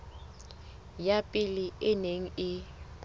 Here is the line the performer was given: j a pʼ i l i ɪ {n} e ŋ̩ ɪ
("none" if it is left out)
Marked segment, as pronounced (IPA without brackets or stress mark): n